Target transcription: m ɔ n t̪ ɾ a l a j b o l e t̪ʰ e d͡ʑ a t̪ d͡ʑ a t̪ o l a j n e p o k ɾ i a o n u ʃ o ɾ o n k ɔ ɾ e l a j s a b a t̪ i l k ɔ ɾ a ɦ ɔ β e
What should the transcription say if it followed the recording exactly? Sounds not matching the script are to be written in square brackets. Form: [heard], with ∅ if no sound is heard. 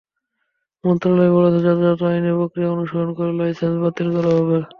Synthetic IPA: m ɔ n t̪ ɾ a l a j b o l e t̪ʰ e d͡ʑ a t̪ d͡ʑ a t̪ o [∅] a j n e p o k ɾ i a o n u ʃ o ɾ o n k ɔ ɾ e l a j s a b a t̪ i l k ɔ ɾ a ɦ ɔ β e